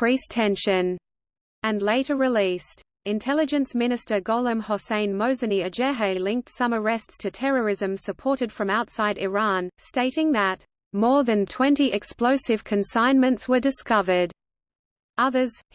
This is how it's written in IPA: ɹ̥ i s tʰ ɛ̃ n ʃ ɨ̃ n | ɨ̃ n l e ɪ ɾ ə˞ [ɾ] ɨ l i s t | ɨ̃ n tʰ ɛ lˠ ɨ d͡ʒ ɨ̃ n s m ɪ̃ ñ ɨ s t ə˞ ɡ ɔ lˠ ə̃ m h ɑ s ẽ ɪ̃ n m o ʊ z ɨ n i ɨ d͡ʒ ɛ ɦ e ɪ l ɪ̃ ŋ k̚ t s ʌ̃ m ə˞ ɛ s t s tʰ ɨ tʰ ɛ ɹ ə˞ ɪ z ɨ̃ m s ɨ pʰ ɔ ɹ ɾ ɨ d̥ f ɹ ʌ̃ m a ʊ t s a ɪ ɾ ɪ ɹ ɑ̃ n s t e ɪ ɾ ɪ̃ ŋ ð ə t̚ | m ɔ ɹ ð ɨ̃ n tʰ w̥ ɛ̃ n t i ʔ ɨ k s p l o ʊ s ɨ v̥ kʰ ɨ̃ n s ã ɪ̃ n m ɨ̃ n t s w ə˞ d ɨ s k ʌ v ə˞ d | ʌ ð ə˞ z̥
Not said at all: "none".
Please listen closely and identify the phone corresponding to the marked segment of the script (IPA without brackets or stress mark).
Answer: ɹ